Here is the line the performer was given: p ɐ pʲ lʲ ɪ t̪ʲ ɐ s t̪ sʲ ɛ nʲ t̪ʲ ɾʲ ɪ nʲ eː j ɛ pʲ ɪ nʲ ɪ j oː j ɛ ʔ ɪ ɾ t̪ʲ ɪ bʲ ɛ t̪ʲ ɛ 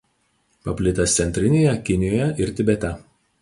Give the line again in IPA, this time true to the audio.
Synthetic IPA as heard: p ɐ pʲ lʲ ɪ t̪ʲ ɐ s t̪ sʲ ɛ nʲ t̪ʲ ɾʲ ɪ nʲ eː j ɛ kʲ ɪ nʲ ɪ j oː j ɛ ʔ ɪ ɾ t̪ʲ ɪ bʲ ɛ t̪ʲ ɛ